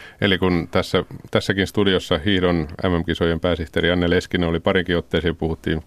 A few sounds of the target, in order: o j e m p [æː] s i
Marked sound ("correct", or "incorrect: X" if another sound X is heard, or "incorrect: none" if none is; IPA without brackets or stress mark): correct